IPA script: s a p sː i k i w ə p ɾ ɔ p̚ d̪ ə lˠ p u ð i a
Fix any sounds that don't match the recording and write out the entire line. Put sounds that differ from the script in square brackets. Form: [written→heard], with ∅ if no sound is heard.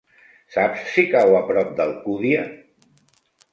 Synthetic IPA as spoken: s a p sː i k [i→a] w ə p ɾ ɔ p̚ d̪ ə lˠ [p→k] u ð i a